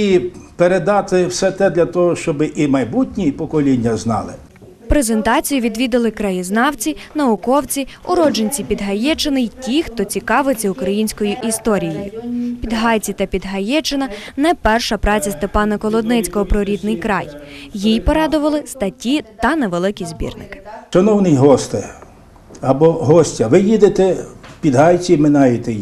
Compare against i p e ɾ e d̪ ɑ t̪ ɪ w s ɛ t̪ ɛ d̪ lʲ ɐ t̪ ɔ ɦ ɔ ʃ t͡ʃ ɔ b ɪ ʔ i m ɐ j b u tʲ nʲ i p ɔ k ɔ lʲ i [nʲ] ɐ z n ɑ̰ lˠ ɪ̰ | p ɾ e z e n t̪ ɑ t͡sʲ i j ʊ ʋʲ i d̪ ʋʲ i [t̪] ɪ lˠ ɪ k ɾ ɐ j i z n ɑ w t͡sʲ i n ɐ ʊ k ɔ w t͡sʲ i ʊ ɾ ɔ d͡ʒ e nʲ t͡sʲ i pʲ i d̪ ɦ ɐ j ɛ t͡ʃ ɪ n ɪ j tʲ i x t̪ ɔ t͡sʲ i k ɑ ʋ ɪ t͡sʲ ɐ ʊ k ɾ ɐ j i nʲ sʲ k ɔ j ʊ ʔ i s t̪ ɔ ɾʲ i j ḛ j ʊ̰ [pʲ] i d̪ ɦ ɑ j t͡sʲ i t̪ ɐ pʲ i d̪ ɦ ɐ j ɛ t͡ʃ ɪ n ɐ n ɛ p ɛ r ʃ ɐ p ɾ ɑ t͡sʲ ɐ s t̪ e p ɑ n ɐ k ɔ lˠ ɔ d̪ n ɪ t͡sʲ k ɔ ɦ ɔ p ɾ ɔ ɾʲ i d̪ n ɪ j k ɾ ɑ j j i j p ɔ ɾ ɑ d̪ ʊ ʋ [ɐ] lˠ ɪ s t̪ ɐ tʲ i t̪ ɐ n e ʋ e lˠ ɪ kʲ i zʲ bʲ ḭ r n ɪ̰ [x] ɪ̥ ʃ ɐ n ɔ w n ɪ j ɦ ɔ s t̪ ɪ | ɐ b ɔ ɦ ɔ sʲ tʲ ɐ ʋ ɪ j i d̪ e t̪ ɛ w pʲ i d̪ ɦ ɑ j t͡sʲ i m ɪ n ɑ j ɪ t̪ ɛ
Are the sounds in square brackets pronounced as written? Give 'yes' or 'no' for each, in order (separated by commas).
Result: no, no, yes, yes, no